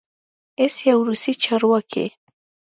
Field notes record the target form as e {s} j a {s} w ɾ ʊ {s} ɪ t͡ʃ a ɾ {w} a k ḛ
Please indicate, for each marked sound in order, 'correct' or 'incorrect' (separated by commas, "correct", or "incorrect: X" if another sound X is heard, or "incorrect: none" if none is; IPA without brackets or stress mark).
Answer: correct, incorrect: none, correct, correct